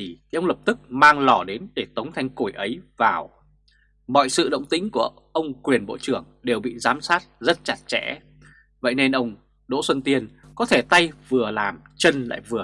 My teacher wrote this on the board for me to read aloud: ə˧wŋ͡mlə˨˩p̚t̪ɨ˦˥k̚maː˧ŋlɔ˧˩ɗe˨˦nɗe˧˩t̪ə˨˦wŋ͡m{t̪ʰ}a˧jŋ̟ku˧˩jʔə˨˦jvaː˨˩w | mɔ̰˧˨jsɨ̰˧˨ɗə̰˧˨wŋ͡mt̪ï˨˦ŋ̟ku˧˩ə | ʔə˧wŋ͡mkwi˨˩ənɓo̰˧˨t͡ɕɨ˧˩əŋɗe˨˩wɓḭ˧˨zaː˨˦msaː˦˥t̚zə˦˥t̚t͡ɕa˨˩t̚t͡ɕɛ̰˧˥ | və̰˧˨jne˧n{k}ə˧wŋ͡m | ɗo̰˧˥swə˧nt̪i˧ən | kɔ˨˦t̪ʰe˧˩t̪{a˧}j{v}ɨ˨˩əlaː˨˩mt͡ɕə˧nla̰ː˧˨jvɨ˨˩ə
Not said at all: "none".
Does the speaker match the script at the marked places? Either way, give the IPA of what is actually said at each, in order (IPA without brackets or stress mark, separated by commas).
t̪ʰ, ʔ, a˧, v